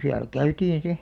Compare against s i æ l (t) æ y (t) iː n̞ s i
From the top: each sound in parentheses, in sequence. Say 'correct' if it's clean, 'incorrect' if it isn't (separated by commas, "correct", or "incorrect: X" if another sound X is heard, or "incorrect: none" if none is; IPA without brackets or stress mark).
incorrect: k, correct